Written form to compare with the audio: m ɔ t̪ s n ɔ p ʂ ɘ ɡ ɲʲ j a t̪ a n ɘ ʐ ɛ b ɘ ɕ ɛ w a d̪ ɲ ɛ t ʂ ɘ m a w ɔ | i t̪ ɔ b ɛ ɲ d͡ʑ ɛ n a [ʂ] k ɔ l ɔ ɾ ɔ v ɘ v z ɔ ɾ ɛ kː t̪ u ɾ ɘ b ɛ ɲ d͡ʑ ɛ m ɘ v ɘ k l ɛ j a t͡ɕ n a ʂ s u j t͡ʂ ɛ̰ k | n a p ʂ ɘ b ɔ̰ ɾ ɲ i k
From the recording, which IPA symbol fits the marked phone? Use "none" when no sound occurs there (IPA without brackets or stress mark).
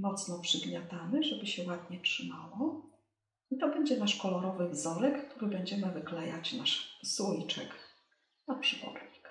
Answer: ʂ